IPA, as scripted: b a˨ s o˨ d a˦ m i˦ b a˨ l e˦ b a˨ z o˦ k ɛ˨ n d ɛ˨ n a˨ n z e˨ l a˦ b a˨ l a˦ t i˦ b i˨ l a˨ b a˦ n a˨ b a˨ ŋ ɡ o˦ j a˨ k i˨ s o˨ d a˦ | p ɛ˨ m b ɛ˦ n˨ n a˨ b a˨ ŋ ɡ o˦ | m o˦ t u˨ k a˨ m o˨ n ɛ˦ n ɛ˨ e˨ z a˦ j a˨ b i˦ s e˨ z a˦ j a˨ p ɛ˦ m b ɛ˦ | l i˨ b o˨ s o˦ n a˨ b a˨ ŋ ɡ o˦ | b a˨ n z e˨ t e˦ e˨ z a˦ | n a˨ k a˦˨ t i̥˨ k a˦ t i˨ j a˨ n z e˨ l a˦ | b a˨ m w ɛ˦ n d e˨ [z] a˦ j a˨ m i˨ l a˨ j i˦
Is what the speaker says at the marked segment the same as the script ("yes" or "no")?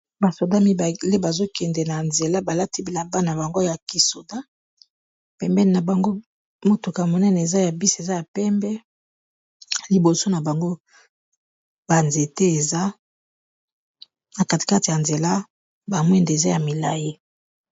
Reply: yes